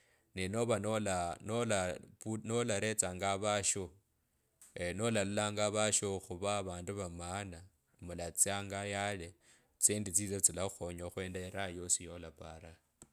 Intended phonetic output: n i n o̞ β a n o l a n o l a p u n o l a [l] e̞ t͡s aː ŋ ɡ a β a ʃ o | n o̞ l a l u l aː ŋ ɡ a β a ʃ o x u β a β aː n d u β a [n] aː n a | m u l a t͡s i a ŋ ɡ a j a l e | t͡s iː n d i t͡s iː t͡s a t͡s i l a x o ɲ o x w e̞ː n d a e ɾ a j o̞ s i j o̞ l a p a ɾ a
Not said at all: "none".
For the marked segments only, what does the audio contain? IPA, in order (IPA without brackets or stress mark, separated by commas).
ɾ, m